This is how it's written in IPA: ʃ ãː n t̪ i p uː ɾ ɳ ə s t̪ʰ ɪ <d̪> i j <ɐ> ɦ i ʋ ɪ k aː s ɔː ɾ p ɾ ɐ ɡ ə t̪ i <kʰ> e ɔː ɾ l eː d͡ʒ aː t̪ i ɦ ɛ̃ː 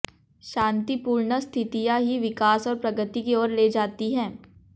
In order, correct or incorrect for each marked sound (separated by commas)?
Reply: incorrect, incorrect, incorrect